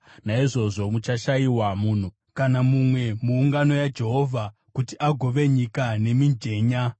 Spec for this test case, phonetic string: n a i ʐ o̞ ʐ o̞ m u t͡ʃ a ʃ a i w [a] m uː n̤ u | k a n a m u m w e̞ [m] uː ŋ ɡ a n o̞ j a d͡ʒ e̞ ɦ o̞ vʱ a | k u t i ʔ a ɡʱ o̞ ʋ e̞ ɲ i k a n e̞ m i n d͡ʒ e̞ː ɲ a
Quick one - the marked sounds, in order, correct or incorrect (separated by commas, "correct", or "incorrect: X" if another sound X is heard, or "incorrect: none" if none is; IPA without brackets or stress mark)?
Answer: correct, correct